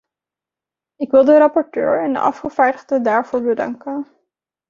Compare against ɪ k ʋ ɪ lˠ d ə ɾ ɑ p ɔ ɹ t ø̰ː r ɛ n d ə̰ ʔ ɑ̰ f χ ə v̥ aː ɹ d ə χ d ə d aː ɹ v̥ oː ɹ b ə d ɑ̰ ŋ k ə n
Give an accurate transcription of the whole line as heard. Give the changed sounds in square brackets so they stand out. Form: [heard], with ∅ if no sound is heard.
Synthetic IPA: ɪ k ʋ ɪ lˠ d ə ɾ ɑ p ɔ ɹ t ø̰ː [ɹ] ɛ n d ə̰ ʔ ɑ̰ f χ ə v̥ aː ɹ d ə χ d ə d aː ɹ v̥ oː ɹ b ə d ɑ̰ ŋ k ə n